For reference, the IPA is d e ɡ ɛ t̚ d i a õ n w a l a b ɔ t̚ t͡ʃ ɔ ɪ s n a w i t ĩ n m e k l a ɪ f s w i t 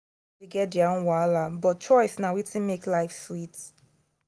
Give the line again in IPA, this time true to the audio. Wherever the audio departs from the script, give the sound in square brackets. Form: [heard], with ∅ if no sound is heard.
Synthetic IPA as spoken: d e ɡ ɛ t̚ d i a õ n w a l a b ɔ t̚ t͡ʃ ɔ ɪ s n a w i t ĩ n m e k l a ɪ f s w i t